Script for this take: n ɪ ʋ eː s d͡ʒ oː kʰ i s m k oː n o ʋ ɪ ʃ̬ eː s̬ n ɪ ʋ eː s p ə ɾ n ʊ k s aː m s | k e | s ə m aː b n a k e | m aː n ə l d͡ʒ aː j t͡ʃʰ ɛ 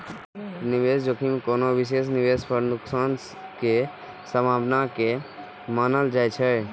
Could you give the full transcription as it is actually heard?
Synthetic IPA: n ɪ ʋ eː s d͡ʒ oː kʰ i m k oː n o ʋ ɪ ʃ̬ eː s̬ n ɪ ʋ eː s p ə ɾ n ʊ k s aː n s | k e | s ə m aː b n a k e | m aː n ə l d͡ʒ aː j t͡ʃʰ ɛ